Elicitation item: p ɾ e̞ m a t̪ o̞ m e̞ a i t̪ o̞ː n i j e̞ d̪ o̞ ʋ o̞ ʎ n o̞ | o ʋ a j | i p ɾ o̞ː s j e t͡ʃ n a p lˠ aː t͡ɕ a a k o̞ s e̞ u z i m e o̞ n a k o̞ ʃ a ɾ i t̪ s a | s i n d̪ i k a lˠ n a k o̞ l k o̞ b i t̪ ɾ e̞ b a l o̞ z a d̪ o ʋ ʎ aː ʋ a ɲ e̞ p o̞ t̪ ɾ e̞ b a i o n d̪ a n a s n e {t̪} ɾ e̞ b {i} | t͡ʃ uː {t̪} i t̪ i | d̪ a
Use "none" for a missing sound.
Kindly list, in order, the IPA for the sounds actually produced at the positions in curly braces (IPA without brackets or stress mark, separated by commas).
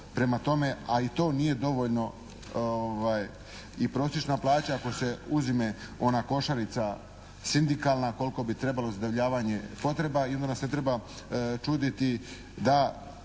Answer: t̪, a, d̪